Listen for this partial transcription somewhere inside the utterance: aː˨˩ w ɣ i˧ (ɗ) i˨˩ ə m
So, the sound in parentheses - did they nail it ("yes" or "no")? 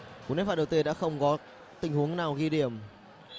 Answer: yes